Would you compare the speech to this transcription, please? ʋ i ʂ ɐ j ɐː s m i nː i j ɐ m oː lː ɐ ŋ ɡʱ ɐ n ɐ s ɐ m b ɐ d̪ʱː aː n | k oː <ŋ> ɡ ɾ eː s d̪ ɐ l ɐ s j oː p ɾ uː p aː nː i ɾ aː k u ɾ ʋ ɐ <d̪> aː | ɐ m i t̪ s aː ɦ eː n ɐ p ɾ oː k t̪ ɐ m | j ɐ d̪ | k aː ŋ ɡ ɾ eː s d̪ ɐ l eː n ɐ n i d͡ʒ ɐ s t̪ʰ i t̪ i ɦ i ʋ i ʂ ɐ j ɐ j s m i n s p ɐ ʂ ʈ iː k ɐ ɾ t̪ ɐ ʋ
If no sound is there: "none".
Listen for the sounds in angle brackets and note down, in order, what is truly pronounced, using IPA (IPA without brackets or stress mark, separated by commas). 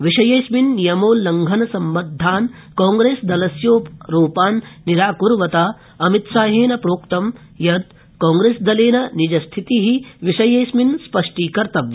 ŋ, t̪